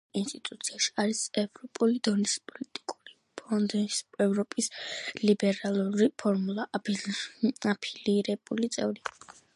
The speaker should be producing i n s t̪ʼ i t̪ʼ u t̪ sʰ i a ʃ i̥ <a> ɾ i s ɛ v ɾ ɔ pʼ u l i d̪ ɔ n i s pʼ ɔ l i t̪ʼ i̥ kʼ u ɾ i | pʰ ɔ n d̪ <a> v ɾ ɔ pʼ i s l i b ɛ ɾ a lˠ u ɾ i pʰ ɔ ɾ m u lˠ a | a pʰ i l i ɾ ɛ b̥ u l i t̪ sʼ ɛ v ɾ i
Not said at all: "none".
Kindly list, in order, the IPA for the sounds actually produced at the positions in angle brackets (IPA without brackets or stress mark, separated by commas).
a, ɛ